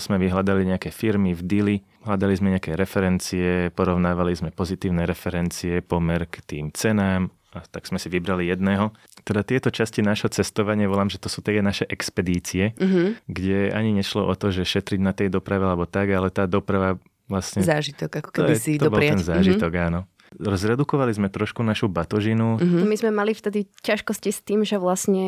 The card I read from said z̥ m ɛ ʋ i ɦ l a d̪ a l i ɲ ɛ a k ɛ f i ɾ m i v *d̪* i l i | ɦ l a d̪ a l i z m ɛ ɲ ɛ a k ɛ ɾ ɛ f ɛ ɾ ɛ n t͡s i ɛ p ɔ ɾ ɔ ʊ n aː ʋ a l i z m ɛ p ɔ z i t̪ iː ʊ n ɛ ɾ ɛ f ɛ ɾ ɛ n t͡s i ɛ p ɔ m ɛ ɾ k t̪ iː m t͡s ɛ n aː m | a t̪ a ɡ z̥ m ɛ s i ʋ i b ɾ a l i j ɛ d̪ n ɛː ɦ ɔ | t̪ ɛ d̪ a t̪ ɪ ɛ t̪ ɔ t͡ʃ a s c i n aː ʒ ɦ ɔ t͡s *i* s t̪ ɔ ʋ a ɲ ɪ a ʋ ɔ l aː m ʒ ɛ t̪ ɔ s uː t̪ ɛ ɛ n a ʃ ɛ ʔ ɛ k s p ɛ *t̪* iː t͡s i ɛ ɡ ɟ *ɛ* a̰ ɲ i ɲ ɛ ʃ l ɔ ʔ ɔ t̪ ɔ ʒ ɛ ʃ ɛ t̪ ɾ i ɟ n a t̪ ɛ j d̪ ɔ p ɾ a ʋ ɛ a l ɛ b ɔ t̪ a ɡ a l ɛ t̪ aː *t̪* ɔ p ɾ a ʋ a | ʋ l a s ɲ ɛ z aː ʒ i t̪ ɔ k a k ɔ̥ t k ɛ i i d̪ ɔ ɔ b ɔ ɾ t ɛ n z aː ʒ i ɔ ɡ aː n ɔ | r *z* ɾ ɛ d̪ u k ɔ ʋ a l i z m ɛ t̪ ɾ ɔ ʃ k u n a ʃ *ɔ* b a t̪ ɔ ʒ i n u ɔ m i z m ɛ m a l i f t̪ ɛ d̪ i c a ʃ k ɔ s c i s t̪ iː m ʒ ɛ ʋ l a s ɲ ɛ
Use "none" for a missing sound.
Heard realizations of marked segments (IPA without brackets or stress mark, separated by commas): d̪, ɛ, d̪, ɛ, d̪, z, u